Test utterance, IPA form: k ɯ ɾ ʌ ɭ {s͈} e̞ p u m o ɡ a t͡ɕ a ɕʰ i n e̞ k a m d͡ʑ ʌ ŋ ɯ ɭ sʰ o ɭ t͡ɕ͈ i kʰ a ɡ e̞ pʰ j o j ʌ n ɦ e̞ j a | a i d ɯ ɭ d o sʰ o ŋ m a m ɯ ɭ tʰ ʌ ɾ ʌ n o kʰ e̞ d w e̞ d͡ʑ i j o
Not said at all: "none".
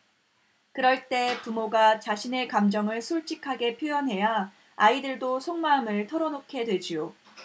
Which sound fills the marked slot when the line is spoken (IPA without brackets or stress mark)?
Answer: t͈